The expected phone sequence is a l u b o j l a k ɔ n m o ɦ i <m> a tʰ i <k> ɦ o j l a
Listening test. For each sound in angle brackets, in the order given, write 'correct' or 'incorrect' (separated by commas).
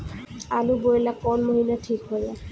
incorrect, correct